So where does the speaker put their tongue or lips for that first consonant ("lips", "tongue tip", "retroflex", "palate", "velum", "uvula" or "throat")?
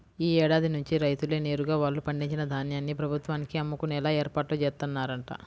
retroflex